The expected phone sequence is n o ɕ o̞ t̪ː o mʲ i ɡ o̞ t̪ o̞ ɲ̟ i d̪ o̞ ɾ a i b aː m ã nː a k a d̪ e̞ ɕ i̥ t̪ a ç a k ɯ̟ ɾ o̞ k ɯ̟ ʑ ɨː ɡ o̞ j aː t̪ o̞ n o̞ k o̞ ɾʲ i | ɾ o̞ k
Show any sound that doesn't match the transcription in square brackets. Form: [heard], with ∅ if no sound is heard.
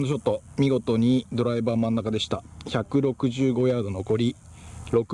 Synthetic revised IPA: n o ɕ o̞ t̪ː o mʲ i ɡ o̞ t̪ o̞ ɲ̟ i d̪ o̞ ɾ a i b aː m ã nː a k a d̪ e̞ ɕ i̥ t̪ a ç a k ɯ̟ ɾ o̞ k ɯ̟ ʑ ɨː ɡ o̞ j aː [d̪] o̞ n o̞ k o̞ ɾʲ i | ɾ o̞ k

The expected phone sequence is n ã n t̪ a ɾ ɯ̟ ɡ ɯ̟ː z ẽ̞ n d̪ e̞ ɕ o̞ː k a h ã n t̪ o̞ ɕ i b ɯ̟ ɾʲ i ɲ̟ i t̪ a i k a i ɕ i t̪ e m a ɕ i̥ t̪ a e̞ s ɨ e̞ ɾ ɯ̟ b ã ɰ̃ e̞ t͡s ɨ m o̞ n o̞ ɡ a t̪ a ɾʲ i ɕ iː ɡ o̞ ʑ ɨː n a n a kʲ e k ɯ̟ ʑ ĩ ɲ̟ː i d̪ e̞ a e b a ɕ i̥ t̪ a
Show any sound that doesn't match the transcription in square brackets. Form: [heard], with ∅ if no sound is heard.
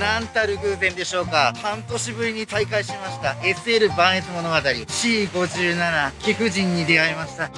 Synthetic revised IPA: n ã n t̪ a ɾ ɯ̟ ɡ ɯ̟ː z ẽ̞ n d̪ e̞ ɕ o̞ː k a h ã n t̪ o̞ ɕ i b ɯ̟ ɾʲ i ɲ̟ i t̪ a i k a i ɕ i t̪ e m a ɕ i̥ t̪ a e̞ s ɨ e̞ ɾ ɯ̟ b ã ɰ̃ e̞ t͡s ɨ m o̞ n o̞ ɡ a t̪ a ɾʲ i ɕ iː ɡ o̞ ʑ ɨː n a n a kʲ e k ɯ̟ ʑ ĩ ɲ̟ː i d̪ e̞ a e [m] a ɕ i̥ t̪ a

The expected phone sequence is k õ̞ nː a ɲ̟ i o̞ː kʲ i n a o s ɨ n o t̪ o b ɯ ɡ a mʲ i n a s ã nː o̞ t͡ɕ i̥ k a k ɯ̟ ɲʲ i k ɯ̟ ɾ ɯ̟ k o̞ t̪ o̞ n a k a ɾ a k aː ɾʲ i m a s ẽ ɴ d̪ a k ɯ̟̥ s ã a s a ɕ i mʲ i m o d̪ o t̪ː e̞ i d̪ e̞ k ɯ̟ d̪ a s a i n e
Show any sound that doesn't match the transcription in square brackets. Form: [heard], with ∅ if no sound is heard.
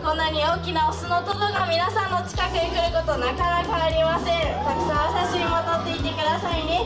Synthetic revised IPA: k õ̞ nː a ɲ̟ i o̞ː kʲ i n a o s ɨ n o t̪ o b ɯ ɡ a mʲ i n a s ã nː o̞ t͡ɕ i̥ k a k ɯ̟ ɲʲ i k ɯ̟ ɾ ɯ̟ k o̞ t̪ o̞ n a k a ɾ a k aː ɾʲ i m a s ẽ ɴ [t̪] a k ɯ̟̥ s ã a s a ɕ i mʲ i m o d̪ o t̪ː e̞ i [t̪] e̞ k ɯ̟ d̪ a s a i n e

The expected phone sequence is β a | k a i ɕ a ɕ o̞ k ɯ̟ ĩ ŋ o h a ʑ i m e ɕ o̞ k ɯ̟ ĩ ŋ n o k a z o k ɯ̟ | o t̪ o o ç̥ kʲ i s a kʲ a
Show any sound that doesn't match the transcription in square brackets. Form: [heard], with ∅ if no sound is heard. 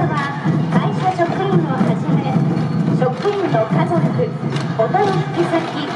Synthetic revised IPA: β a | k a i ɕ a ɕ o̞ k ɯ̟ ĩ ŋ o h a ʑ i m e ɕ o̞ k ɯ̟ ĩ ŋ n o k a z o k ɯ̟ | o t̪ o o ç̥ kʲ i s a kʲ [i]

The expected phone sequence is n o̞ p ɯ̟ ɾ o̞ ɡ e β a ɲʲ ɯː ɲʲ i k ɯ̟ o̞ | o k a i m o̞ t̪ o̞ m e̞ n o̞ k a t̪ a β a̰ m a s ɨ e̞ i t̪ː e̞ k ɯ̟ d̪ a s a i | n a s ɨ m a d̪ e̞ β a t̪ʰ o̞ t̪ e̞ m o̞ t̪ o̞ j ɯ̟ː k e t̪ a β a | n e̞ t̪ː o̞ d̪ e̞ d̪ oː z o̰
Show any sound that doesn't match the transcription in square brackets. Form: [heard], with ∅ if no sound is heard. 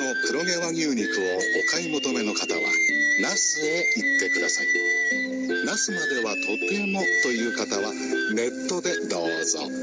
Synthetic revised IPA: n o̞ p ɯ̟ ɾ o̞ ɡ e β a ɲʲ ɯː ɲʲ i k ɯ̟ o̞ | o k a i m o̞ t̪ o̞ m e̞ n o̞ k a t̪ a β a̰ [n] a s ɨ e̞ i t̪ː e̞ k ɯ̟ d̪ a s a i | n a s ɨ m a d̪ e̞ β a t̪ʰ o̞ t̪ e̞ m o̞ t̪ o̞ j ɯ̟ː k [a] t̪ a β a | n e̞ t̪ː o̞ d̪ e̞ d̪ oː z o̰

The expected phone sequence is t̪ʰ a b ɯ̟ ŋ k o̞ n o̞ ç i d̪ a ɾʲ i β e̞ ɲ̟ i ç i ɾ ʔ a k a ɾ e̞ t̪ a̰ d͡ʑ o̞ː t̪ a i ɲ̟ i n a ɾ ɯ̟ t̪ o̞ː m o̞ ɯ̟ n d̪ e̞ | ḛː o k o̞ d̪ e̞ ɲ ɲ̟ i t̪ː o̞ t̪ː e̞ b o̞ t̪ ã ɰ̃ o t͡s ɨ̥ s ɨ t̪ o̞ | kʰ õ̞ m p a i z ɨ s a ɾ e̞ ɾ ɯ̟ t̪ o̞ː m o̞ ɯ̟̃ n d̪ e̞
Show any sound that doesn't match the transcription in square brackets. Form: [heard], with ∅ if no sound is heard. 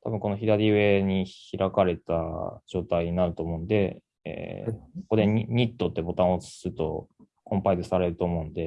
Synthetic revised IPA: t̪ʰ a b ɯ̟ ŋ k o̞ n o̞ ç i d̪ a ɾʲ i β e̞ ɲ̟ i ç i ɾ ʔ a k a ɾ e̞ t̪ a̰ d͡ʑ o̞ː t̪ a i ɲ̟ i n a ɾ ɯ̟ t̪ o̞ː m o̞ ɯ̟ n d̪ e̞ | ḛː o k o̞ d̪ e̞ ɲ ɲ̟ i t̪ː o̞ t̪ː e̞ b o̞ t̪ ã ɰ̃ o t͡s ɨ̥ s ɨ t̪ o̞ | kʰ õ̞ m p a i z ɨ s a ɾ e̞ ɾ ɯ̟ t̪ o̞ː m o̞ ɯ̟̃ n d̪ e̞

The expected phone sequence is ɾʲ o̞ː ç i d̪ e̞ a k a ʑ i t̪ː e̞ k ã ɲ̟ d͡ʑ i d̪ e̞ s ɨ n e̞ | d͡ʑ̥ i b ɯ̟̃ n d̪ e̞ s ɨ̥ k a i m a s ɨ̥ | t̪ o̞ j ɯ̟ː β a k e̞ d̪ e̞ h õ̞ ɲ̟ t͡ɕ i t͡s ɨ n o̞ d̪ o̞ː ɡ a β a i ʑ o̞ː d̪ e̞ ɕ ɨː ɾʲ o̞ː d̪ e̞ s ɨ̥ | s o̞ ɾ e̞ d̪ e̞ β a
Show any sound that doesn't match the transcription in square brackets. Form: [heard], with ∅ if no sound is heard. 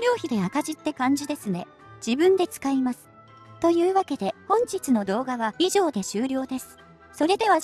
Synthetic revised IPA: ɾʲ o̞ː ç i d̪ e̞ a k a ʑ i t̪ː e̞ k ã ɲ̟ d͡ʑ i d̪ e̞ s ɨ n e̞ | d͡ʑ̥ i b ɯ̟̃ n d̪ e̞ [t͡s] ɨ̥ k a i m a s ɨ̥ | t̪ o̞ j ɯ̟ː β a k e̞ d̪ e̞ h õ̞ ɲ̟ t͡ɕ i t͡s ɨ n o̞ d̪ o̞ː ɡ a β a i ʑ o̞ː d̪ e̞ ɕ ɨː ɾʲ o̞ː d̪ e̞ s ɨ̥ | s o̞ ɾ e̞ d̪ e̞ β a

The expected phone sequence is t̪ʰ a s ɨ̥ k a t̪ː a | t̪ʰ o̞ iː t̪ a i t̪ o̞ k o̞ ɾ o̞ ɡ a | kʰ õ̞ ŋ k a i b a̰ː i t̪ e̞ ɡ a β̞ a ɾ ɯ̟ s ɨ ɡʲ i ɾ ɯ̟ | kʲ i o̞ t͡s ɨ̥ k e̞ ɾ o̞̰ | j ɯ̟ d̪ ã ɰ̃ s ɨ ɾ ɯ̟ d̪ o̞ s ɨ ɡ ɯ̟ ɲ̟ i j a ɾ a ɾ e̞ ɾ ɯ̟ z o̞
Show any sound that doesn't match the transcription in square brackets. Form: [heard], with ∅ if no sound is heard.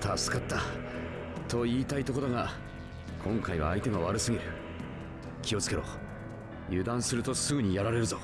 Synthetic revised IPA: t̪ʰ a s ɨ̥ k a t̪ː a | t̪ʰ o̞ iː t̪ a i t̪ o̞ k o̞ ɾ o̞ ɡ a | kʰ õ̞ ŋ k a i [β] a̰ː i t̪ e̞ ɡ a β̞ a ɾ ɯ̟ s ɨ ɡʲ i ɾ ɯ̟ | kʲ i o̞ t͡s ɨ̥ k e̞ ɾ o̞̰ | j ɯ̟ d̪ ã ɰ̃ s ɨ ɾ ɯ̟ [t̪] o̞ s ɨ ɡ ɯ̟ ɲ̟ i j a ɾ a ɾ e̞ ɾ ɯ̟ z o̞

